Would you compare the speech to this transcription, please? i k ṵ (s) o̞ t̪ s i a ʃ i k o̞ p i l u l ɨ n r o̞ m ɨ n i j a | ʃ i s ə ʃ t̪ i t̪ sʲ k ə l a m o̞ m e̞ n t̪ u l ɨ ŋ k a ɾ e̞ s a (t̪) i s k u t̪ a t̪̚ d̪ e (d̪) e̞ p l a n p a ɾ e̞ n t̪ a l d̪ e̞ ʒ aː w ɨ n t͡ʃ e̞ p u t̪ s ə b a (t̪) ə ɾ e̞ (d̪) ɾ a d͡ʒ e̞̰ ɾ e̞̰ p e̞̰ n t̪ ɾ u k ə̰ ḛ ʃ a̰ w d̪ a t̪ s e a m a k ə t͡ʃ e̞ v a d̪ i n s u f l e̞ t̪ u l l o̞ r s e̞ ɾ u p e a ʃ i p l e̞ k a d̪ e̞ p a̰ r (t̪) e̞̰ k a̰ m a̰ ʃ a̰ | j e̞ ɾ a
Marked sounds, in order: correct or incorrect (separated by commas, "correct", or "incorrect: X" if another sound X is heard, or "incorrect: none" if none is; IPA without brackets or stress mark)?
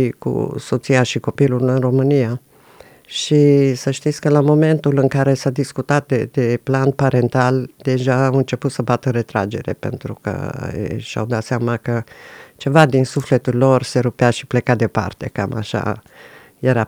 correct, incorrect: d̪, correct, correct, incorrect: t̪, correct